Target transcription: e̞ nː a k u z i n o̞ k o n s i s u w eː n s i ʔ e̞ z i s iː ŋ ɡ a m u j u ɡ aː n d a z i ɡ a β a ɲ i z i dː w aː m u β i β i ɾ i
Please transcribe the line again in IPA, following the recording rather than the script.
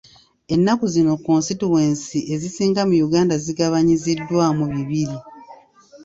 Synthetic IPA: e̞ nː a k u z i n o̞ k o n s i t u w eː n s i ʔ e̞ z i s iː ŋ ɡ a m u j u ɡ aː n d a z i ɡ a β a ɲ i z i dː w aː m u β i β i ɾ i